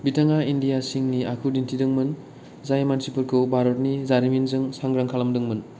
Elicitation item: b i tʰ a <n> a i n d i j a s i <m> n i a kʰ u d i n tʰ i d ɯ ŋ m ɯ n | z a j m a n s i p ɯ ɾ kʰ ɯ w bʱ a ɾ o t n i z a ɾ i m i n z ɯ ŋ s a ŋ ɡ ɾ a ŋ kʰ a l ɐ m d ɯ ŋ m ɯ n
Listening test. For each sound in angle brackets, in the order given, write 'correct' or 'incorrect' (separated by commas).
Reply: incorrect, incorrect